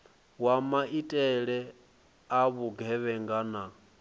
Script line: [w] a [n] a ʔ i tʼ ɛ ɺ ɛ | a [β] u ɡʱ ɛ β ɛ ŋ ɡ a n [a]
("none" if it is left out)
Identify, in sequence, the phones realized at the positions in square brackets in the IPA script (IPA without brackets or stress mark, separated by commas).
w, m, β, a